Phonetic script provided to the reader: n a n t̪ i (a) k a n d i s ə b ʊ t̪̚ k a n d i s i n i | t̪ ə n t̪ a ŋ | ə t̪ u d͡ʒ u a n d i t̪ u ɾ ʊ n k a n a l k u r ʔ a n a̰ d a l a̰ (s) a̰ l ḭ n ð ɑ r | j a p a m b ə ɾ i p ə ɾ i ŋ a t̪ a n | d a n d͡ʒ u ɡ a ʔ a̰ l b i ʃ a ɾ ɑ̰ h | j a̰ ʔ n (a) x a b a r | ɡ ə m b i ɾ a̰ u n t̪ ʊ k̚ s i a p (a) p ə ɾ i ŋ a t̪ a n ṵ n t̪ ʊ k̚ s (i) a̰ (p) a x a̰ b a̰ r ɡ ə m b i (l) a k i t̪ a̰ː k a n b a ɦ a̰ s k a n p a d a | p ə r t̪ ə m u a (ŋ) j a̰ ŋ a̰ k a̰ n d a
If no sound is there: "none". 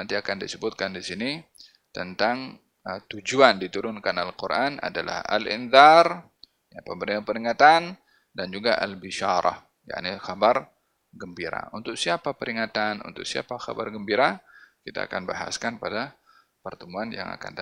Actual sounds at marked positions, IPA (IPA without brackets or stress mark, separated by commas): a, h, i, a, i, p, ɾ, n